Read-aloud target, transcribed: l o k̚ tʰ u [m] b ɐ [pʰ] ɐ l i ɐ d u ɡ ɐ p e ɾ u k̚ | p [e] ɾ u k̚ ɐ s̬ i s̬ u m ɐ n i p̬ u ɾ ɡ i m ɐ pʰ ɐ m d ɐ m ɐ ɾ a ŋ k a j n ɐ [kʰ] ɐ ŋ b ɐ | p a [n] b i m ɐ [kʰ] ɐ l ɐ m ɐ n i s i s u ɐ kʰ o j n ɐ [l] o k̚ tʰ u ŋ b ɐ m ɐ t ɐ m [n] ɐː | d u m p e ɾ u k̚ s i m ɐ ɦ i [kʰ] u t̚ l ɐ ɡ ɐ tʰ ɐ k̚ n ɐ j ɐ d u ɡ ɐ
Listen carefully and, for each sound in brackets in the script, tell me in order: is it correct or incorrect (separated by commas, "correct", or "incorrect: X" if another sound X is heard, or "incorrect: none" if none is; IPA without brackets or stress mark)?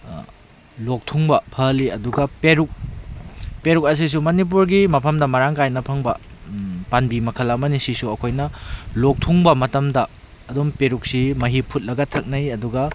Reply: incorrect: ŋ, correct, correct, incorrect: pʰ, correct, correct, correct, incorrect: d, incorrect: pʰ